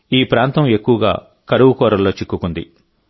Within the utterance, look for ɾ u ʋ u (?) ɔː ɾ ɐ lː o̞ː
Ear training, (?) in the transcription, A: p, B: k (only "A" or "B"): B